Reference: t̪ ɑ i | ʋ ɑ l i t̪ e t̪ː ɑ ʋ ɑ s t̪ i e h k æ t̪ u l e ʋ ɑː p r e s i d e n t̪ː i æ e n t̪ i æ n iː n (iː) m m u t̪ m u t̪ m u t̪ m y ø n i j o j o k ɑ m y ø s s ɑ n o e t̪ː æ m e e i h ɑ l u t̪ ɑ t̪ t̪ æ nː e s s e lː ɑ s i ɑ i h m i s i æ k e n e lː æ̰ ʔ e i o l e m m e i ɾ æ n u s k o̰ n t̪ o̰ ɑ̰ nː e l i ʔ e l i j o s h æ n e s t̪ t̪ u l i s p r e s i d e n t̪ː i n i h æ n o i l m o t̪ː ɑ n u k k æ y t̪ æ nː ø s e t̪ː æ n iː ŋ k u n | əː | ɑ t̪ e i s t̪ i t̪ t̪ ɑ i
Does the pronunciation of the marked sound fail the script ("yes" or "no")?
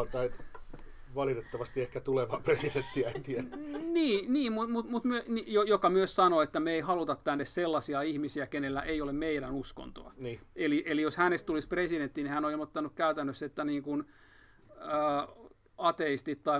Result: no